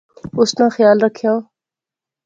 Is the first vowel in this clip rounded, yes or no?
yes